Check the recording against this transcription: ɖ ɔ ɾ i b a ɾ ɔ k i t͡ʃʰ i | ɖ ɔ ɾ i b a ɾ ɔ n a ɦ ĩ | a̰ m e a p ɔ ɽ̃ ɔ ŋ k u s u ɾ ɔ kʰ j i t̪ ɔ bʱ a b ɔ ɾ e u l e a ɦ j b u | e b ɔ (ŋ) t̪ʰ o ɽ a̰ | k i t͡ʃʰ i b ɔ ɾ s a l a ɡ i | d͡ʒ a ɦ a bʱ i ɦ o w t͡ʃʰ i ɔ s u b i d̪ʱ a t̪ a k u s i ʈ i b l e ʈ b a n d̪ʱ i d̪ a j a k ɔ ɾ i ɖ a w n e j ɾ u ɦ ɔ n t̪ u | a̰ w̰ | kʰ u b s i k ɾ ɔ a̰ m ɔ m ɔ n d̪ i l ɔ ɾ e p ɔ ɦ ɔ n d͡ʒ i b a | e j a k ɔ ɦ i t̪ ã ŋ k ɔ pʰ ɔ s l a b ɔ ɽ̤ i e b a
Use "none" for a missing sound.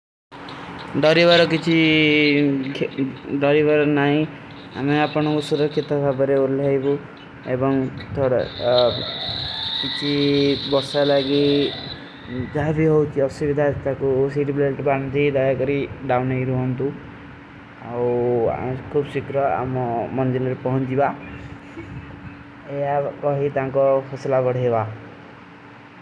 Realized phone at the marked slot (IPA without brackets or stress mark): ŋ